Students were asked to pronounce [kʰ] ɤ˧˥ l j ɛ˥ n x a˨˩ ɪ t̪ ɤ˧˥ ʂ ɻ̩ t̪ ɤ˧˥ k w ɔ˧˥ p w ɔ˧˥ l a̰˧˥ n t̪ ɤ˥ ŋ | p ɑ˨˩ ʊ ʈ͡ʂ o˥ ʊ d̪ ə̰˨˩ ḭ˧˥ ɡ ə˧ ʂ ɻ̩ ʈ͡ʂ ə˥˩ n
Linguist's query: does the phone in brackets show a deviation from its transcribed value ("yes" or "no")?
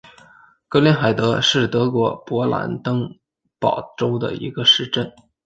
yes